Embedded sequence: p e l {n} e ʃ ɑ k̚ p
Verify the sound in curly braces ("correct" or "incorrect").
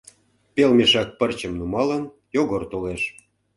incorrect